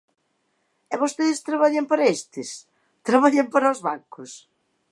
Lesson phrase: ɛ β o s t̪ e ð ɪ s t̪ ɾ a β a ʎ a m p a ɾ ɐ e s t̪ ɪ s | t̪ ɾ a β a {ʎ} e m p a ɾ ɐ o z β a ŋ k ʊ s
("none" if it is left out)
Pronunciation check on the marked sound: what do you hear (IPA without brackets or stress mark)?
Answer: ʎ